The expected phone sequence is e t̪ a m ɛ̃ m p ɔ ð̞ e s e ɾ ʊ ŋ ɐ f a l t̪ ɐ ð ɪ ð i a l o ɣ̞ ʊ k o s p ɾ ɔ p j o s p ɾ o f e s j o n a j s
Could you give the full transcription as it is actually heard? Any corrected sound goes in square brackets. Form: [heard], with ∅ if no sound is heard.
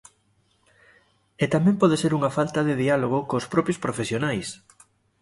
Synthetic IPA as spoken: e t̪ a m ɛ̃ m p ɔ ð̞ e s e ɾ [u] ŋ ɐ f a l t̪ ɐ ð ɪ ð i a l o ɣ̞ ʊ k o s p ɾ ɔ p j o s p ɾ o f e s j o n a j s